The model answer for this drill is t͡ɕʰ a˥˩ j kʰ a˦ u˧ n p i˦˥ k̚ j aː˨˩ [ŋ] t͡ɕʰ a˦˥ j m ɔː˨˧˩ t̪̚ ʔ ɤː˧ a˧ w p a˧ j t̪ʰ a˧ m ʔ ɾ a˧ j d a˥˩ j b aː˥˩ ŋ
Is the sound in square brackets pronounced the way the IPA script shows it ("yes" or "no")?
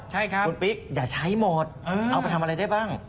no